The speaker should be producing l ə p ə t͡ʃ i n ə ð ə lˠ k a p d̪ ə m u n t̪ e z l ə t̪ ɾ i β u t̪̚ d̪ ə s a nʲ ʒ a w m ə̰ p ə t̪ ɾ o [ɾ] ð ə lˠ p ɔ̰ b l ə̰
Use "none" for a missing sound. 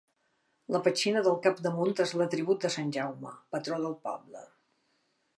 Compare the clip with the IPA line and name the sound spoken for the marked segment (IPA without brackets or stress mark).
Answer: none